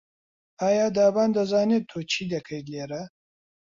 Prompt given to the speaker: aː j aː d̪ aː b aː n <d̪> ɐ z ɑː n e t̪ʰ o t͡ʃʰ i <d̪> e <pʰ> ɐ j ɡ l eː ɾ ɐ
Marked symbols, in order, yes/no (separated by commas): yes, yes, no